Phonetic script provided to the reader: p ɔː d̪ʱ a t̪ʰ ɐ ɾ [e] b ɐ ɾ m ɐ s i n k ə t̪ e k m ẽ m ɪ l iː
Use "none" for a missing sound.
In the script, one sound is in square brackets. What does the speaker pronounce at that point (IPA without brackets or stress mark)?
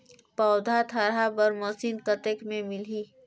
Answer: a